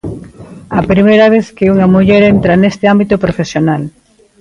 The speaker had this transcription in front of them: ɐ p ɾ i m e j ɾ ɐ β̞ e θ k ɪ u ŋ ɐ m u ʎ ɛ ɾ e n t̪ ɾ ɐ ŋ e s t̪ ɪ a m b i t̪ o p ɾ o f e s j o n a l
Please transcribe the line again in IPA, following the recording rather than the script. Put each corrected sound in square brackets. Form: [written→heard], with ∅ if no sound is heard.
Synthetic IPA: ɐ p ɾ i m e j ɾ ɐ β̞ e θ k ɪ u ŋ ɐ m u ʎ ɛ ɾ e n t̪ ɾ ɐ [ŋ→n] e s t̪ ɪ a m b i t̪ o p ɾ o f e s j o n a l